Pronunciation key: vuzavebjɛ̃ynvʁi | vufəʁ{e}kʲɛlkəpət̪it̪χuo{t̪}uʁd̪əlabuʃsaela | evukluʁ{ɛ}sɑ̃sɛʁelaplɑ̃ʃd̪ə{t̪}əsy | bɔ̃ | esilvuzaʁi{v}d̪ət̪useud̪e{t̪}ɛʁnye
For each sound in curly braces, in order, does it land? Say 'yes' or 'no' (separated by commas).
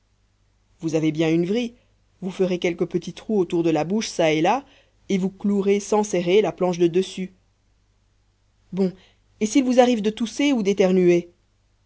yes, yes, no, no, yes, yes